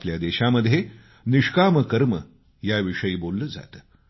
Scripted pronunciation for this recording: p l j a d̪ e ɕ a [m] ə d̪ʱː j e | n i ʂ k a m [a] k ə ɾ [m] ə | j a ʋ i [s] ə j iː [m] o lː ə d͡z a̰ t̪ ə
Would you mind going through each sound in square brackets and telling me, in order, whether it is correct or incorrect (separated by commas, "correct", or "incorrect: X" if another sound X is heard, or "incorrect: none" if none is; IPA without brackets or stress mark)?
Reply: correct, incorrect: ə, correct, incorrect: ʂ, incorrect: b